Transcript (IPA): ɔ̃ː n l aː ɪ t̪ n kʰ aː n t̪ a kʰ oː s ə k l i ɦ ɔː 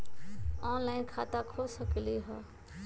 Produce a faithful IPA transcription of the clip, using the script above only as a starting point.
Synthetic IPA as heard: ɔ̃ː n l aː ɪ n kʰ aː t̪ a kʰ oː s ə k l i ɦ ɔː

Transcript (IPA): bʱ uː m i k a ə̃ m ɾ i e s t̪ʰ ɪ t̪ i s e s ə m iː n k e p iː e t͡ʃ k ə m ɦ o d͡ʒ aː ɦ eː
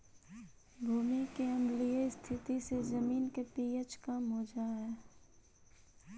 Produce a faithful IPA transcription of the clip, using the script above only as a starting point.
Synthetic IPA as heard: bʱ uː m i k e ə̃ m l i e s t̪ʰ ɪ t̪ i s e z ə m iː n k e p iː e t͡ʃ k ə m ɦ o d͡ʒ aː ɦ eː

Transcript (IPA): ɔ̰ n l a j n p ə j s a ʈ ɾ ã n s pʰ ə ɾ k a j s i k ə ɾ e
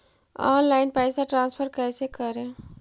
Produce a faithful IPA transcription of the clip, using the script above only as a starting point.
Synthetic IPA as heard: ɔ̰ n l a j n p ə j s a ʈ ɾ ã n s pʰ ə ɾ k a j s e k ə ɾ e

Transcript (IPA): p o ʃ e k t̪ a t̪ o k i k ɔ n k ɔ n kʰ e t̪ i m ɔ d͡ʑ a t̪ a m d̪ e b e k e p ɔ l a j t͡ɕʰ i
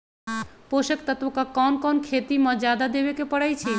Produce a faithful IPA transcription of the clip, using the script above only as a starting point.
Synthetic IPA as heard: p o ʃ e k t̪ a t̪ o k a k ɔ n k ɔ n kʰ e t̪ i m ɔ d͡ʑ a d̪ a d̪ e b e k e p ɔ ɽ a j t͡ɕʰ i

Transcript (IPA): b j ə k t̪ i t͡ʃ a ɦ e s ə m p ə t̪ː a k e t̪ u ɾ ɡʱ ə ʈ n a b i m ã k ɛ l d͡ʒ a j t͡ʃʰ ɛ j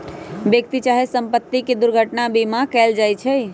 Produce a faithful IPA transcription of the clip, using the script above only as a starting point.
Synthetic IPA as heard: b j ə k t̪ i t͡ʃ a ɦ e s ə m p ə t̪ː i k e d̪ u ɾ ɡʱ ə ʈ n a b i m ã k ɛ l d͡ʒ a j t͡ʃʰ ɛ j

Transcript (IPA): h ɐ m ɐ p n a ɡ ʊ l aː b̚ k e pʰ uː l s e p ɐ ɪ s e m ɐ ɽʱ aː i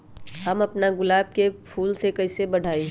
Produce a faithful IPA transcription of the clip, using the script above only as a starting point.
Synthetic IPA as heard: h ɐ m ɐ p n a ɡ ʊ l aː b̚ k e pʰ uː l s e k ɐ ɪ s e b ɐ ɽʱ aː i

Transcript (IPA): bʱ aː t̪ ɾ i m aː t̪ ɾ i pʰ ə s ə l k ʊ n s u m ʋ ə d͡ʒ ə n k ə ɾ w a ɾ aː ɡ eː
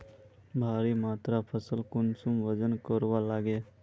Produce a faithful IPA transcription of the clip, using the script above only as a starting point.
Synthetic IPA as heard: bʱ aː ɾ i m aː t̪ ɾ a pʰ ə s ə l k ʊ n s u m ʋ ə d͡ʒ ə n k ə ɾ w a l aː ɡ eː

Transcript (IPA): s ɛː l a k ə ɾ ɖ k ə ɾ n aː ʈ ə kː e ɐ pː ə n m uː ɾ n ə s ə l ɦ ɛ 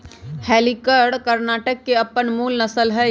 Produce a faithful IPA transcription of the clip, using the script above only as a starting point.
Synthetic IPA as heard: h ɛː l i k ə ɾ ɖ k ə ɾ n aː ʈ ə kː e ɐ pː ə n m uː l n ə s ə l ɦ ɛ

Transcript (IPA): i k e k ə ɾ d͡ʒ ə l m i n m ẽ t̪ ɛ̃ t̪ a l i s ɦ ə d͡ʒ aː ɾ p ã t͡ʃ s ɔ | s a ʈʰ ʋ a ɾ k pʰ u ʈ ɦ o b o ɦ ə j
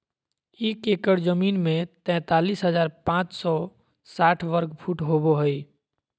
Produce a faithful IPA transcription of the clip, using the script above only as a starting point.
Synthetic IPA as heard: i k e k ə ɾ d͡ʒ ə m i n m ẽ t̪ ɛ̃ t̪ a l i s ɦ ə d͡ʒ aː ɾ p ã t͡ʃ s ɔ | s a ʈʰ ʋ ə ɾ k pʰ u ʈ ɦ o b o ɦ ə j

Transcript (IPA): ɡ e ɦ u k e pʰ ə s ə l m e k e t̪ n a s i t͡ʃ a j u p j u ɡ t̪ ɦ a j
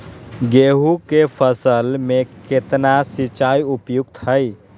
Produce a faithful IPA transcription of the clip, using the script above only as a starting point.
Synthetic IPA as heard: ɡ e ɦ u k e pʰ ə s ə l m e k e t̪ n a s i t͡ʃ a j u p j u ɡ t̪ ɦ ə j

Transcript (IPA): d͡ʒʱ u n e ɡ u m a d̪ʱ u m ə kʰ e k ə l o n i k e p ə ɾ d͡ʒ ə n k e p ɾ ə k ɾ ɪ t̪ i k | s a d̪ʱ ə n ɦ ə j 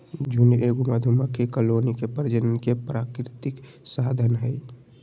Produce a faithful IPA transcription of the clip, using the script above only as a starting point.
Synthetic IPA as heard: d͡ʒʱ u n e ɡ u m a d̪ʱ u m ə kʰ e k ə l o n i k e p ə ɾ d͡ʒ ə n k e p ɾ a k ɾ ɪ t̪ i k | s a d̪ʱ ə n ɦ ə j

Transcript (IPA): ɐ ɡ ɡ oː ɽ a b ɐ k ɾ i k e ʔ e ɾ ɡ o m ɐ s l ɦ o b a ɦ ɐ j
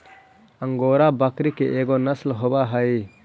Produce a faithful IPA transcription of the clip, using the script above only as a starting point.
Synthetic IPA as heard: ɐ ŋ ɡ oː ɾ a b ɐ k ɾ i k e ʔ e ɡ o n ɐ s l ɦ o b a ɦ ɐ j

